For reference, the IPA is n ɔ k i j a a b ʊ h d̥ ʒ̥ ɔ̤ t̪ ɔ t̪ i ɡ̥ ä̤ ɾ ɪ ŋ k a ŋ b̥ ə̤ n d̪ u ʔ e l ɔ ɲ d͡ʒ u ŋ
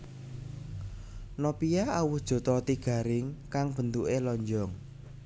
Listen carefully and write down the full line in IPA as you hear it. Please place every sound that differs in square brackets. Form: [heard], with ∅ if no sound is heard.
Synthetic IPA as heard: n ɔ [p] i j a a [w] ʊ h d̥ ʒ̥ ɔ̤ t̪ ɔ t̪ i ɡ̥ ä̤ ɾ ɪ ŋ k a ŋ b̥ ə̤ n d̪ u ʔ e l ɔ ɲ d͡ʒ [ɔ] ŋ